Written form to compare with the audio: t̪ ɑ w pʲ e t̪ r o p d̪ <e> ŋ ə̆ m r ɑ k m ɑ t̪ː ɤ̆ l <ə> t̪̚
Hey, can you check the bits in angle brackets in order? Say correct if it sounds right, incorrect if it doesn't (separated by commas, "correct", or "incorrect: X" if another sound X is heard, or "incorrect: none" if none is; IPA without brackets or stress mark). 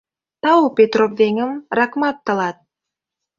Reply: correct, incorrect: ɑ